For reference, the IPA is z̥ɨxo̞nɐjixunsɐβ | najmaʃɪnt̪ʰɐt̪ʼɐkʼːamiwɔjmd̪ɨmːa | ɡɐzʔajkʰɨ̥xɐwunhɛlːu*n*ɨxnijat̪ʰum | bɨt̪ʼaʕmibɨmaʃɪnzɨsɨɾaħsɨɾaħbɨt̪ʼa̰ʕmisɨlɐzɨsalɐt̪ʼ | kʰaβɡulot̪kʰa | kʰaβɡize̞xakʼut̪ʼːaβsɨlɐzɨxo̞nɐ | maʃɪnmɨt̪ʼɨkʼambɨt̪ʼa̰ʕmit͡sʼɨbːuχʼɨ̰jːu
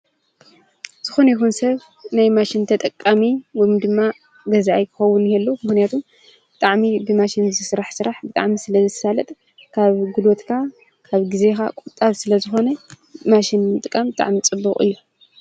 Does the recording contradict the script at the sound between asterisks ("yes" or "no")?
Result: yes